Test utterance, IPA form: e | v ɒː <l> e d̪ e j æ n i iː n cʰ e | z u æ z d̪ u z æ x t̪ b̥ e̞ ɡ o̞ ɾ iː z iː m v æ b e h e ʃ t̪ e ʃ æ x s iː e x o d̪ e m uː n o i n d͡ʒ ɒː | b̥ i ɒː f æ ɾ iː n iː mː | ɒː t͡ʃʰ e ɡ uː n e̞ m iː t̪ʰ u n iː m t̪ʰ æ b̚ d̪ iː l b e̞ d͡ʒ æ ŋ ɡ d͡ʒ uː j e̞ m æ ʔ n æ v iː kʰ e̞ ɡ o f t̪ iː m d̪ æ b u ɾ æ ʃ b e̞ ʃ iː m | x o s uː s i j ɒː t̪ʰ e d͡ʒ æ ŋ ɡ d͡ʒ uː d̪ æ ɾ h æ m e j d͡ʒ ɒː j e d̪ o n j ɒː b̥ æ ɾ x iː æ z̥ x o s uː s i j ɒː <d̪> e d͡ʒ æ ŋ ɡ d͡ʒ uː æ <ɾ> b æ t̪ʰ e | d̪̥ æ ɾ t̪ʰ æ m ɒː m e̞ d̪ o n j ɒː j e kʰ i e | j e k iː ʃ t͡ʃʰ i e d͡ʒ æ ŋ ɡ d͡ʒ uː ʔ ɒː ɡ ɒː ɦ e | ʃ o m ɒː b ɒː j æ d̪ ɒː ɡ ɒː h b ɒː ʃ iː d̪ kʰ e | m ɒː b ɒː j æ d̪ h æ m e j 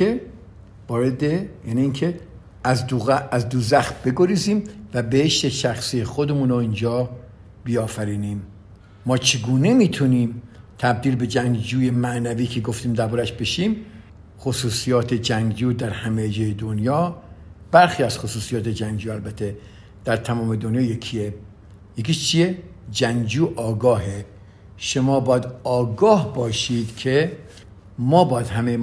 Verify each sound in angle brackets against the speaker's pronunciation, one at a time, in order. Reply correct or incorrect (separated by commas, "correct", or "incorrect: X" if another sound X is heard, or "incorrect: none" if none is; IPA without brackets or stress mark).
incorrect: ɾ, incorrect: t̪, incorrect: l